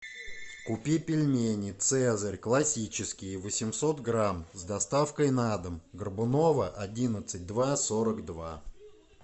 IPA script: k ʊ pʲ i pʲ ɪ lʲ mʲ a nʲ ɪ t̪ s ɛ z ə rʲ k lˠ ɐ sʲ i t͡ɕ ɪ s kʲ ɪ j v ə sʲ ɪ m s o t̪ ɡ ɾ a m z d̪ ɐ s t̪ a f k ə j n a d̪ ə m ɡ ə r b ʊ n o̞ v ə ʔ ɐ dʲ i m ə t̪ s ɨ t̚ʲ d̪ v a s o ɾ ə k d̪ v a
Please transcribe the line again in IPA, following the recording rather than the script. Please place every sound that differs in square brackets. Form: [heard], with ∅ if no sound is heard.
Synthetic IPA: k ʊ pʲ i pʲ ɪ lʲ mʲ [e] nʲ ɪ t̪ s ɛ z ə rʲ k lˠ ɐ sʲ i t͡ɕ ɪ s kʲ ɪ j v ə sʲ ɪ m s o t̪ ɡ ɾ a m z d̪ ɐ s t̪ a f k ə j n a d̪ ə m ɡ ə r b ʊ n o̞ v ə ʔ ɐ dʲ i [n] ə t̪ s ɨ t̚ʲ d̪ v a s o ɾ ə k d̪ v a